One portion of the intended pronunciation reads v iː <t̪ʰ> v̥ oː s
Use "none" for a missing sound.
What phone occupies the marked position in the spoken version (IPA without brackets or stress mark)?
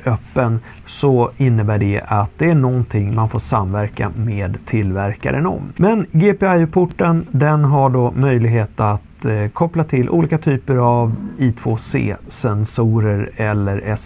t̪ʰ